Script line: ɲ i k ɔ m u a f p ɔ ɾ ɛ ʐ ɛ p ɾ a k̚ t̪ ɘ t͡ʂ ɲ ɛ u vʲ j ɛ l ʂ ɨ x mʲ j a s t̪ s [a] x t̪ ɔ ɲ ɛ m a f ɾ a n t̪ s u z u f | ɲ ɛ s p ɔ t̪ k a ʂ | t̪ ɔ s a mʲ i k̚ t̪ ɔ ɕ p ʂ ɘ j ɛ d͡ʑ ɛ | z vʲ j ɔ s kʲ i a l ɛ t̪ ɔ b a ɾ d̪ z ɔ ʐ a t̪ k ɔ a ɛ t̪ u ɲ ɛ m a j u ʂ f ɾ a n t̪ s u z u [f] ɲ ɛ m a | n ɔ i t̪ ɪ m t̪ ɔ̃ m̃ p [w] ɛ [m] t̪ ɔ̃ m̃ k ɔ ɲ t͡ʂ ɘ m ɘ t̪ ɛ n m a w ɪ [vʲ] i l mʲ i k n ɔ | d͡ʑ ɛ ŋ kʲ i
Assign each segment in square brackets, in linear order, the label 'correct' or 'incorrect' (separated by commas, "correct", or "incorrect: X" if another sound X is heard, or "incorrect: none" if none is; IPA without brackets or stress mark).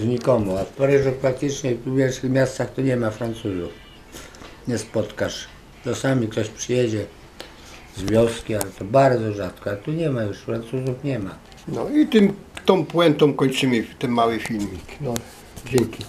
correct, correct, correct, incorrect: n, incorrect: fʲ